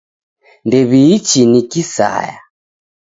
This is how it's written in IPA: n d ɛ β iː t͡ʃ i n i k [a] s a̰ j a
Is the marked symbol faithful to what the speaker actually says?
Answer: no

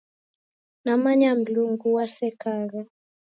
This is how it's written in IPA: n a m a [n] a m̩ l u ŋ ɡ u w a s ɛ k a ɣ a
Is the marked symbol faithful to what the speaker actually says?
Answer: no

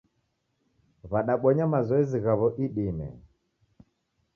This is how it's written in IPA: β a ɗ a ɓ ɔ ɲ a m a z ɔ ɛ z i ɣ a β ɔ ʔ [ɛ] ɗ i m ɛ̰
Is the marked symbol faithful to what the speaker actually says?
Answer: no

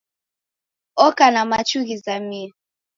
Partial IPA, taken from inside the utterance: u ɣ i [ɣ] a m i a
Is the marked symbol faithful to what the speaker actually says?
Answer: no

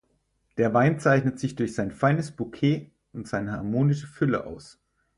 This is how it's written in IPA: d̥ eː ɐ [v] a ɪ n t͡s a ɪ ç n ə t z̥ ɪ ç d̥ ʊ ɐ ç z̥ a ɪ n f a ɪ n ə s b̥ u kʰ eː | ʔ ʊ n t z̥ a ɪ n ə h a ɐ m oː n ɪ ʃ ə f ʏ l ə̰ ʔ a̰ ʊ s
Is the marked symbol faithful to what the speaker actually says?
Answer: yes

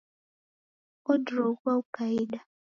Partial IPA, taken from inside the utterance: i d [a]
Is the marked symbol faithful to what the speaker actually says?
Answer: yes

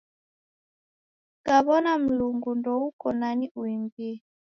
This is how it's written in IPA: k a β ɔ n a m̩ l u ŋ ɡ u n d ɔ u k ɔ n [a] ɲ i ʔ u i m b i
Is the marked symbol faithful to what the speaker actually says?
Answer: yes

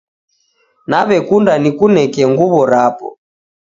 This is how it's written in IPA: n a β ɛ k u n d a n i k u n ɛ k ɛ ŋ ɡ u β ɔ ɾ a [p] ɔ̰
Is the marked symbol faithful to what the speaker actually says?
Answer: yes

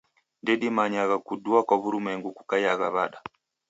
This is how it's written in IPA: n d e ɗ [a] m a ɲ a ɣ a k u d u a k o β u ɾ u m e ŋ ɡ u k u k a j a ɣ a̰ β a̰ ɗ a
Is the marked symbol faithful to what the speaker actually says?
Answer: no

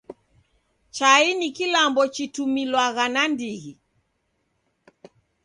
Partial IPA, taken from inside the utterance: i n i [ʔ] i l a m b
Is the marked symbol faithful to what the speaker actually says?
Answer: no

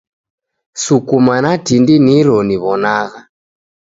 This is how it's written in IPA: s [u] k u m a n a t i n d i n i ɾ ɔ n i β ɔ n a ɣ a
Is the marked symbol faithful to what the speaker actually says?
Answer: yes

